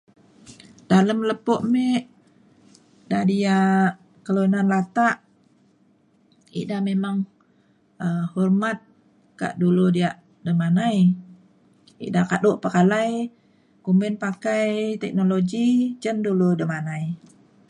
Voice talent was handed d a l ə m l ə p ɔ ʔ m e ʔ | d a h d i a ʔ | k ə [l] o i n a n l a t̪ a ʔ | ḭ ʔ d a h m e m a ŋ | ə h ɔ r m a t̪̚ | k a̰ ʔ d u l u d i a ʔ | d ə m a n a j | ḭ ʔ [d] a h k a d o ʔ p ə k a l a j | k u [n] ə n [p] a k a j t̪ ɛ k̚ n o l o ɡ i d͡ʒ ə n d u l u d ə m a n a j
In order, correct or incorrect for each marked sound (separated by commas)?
correct, correct, incorrect, correct